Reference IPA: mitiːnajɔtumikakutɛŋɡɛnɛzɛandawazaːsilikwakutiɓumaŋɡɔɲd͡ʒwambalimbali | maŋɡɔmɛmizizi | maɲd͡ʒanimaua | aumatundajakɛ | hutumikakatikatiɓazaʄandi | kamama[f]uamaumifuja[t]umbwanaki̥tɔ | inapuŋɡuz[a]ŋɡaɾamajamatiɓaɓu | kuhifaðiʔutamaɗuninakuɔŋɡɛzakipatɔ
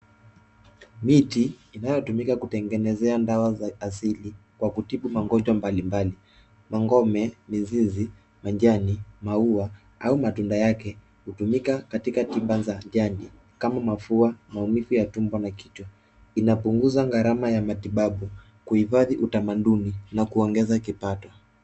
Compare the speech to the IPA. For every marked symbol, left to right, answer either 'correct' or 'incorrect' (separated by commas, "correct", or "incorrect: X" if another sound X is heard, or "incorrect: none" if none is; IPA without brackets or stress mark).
correct, correct, correct